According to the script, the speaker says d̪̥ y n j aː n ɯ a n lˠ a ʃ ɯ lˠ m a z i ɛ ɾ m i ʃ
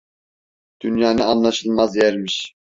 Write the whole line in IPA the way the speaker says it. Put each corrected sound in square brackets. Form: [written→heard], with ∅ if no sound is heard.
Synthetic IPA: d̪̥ y n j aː n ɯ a n lˠ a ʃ ɯ lˠ m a z [i→j] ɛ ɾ m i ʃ